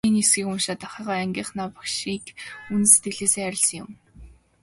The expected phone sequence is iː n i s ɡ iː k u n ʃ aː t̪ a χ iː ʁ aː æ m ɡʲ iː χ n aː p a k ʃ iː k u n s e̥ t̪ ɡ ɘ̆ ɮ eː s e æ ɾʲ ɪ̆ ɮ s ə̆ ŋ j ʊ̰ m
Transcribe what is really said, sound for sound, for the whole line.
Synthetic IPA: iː n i s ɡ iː k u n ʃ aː t̪ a χ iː ʁ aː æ ŋ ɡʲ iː χ n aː p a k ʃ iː k u n s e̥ t̪ ɡ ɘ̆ ɮ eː s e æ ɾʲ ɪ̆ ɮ s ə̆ ŋ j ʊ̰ m